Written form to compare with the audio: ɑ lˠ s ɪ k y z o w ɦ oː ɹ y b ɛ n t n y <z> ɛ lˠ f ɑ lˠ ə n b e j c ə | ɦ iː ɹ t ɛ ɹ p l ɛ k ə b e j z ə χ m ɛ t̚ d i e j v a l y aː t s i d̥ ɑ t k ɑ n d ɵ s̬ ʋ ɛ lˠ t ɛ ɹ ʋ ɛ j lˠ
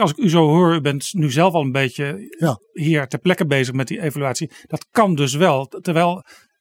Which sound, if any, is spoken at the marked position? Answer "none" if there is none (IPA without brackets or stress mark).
z